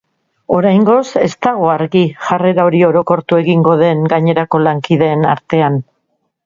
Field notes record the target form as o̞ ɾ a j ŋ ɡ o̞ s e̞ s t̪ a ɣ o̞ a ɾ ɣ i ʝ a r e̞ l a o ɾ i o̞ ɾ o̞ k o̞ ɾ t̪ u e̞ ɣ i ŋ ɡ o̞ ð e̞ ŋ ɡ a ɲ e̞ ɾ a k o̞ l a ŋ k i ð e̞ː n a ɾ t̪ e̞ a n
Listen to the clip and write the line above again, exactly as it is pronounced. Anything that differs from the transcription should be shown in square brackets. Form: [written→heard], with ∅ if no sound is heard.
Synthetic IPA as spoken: o̞ ɾ a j ŋ ɡ o̞ s e̞ s t̪ a ɣ o̞ a ɾ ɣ i ʝ a r e̞ [l→ɾ] a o ɾ i o̞ ɾ o̞ k o̞ ɾ t̪ u e̞ ɣ i ŋ ɡ o̞ ð e̞ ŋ ɡ a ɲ e̞ ɾ a k o̞ l a ŋ k i ð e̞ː n a ɾ t̪ e̞ a n